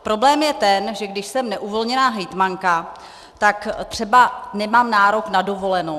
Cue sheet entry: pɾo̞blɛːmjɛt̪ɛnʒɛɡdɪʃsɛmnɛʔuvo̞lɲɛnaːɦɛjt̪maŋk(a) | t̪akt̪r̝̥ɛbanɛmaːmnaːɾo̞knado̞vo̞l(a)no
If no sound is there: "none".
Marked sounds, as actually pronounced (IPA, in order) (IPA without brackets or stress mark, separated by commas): a, ɛ